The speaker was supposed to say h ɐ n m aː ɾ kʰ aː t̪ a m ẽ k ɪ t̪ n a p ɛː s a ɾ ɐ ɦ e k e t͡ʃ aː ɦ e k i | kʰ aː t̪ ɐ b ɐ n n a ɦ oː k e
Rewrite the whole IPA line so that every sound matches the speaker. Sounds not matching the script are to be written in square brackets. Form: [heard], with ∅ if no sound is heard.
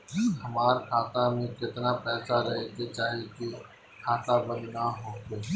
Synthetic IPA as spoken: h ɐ [∅] m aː ɾ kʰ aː t̪ a m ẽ k ɪ t̪ n a p ɛː s a ɾ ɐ ɦ e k e t͡ʃ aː ɦ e k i | kʰ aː t̪ [a] b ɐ n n a ɦ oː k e